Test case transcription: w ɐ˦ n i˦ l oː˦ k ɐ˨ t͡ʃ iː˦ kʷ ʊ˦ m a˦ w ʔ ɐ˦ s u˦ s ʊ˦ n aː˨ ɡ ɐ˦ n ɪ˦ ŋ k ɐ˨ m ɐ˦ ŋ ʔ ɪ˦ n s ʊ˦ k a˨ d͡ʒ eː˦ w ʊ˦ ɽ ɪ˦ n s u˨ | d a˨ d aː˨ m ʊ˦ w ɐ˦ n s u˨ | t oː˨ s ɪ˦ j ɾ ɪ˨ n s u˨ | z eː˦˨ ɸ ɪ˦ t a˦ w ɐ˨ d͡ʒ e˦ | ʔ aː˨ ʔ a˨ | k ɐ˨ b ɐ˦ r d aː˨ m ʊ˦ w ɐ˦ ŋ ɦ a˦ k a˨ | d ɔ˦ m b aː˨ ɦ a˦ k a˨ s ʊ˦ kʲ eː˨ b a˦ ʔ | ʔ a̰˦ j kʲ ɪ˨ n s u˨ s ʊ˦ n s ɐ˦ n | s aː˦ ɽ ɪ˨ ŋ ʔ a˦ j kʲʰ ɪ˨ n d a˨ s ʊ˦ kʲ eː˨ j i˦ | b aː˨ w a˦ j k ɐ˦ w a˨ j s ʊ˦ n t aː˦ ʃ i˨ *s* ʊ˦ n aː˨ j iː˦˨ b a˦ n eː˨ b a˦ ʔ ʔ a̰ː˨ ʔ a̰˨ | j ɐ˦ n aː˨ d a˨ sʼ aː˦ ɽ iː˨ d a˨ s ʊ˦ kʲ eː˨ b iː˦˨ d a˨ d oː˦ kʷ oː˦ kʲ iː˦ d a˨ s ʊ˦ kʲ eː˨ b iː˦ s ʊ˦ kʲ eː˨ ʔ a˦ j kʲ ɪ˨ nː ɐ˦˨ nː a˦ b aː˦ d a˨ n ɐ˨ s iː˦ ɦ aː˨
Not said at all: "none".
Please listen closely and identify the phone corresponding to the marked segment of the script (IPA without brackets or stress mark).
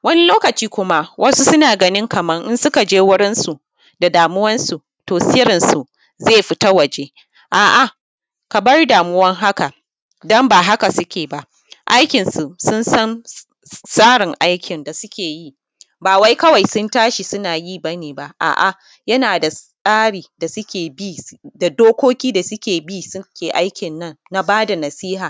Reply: s